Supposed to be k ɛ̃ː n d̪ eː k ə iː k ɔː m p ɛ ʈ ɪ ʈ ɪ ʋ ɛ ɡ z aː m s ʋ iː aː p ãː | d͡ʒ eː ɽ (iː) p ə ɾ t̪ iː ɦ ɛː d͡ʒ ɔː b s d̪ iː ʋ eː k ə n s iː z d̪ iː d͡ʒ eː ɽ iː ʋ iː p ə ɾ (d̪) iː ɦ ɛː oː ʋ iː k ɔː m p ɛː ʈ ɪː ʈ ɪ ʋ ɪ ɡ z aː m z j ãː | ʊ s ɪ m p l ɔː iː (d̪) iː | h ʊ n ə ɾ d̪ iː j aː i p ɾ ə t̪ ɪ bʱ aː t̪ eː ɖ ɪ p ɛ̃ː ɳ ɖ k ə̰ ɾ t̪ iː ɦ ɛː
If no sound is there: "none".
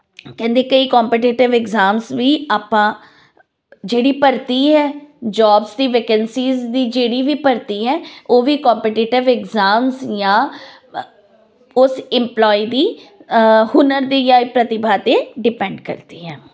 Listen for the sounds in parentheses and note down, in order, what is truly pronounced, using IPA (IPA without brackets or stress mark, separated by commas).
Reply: iː, t̪, d̪